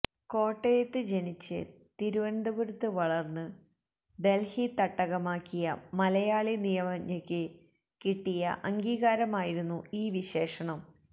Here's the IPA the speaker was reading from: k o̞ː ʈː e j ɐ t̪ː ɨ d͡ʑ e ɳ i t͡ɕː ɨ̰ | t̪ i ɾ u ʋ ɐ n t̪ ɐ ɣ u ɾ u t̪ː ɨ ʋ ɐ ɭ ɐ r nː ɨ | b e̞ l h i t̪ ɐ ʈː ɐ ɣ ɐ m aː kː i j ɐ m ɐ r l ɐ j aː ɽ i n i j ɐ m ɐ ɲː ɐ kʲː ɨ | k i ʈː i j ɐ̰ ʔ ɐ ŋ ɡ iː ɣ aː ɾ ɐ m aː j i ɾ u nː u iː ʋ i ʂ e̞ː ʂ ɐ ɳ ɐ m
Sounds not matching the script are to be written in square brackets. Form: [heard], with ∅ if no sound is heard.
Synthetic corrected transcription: k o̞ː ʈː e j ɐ t̪ː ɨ d͡ʑ e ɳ i t͡ɕː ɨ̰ | t̪ i ɾ u ʋ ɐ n [d̪] ɐ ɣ u ɾ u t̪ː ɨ ʋ ɐ ɭ ɐ r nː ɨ | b e̞ l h i t̪ ɐ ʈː ɐ ɣ ɐ m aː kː i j ɐ m ɐ [∅] l ɐ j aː [ɭ] i n i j ɐ m ɐ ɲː ɐ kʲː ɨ | k i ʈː i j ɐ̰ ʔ ɐ ŋ ɡ iː ɣ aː ɾ ɐ m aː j i ɾ u nː u iː ʋ i [ɕ] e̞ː ʂ ɐ ɳ ɐ m